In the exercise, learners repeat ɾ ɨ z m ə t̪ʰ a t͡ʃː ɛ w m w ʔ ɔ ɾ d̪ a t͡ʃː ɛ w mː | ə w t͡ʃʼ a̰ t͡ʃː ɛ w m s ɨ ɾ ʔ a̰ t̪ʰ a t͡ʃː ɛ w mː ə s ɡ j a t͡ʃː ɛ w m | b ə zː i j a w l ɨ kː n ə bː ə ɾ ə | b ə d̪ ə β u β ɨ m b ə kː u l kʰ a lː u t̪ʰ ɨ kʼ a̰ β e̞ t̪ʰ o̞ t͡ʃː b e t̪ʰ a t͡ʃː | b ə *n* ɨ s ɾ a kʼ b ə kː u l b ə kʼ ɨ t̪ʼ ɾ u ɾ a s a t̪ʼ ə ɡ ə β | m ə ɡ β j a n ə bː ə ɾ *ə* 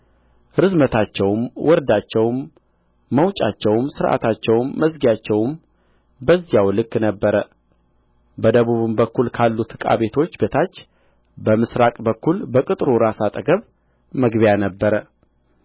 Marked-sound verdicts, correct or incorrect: incorrect: m, correct

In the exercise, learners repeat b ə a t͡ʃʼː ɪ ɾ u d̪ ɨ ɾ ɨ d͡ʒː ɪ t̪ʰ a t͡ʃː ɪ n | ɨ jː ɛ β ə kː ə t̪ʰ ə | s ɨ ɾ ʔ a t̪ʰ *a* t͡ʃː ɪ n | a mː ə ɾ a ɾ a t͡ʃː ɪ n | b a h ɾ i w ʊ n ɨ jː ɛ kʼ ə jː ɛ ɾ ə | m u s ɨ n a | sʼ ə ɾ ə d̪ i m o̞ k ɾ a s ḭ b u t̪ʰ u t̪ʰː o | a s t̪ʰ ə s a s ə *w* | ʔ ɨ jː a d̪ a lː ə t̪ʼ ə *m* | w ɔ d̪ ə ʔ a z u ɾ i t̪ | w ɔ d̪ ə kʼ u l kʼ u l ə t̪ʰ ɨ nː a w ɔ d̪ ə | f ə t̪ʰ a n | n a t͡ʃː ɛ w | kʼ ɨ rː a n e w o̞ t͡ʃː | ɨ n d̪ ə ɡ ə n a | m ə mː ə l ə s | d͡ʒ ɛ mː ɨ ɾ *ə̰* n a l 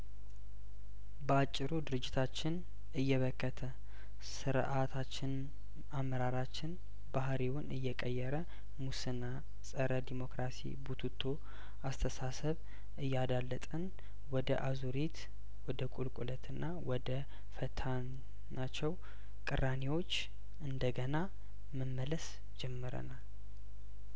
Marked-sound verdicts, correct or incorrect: correct, incorrect: β, incorrect: n, correct

